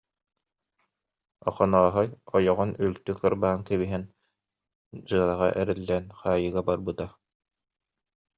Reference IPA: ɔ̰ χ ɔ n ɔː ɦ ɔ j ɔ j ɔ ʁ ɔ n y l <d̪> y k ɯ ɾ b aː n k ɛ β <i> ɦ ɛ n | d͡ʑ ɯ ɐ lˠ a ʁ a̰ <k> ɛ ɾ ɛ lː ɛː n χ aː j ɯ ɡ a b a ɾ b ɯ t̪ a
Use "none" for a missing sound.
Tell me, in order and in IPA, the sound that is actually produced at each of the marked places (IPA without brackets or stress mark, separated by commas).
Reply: t̪, i, ʔ